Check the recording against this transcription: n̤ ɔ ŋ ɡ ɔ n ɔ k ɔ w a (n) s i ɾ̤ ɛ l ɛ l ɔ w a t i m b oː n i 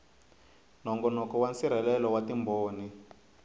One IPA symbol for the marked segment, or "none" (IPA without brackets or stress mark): n